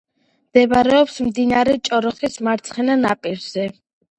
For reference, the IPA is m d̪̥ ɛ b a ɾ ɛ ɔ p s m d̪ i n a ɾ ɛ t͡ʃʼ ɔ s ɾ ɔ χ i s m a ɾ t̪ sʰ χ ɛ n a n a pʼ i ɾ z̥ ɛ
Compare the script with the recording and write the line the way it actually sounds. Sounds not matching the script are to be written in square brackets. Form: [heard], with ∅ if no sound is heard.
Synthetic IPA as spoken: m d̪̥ ɛ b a ɾ ɛ ɔ p s m d̪ i n a ɾ ɛ t͡ʃʼ ɔ [∅] ɾ ɔ χ i s m a ɾ t̪ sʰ χ ɛ n a n a pʼ i ɾ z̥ ɛ